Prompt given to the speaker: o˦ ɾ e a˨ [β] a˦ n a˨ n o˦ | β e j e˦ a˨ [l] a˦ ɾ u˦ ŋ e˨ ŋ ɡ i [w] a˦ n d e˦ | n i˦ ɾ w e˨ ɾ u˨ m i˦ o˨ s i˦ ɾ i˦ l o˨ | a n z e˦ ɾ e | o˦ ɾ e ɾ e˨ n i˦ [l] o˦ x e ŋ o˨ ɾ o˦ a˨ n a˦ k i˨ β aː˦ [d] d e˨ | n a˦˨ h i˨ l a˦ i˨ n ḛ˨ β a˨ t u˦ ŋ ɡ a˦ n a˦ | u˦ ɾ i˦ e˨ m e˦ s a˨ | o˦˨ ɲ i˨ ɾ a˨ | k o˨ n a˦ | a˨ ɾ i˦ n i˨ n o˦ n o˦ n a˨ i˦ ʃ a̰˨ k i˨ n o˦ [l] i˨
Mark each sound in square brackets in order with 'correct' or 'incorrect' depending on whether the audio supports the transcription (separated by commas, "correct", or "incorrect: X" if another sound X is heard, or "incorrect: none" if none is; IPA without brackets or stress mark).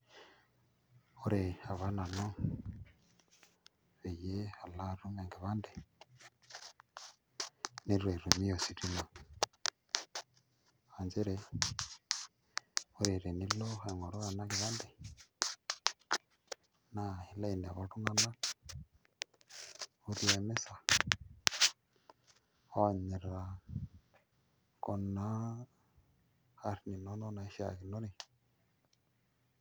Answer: correct, correct, incorrect: β, correct, incorrect: n, incorrect: ɾ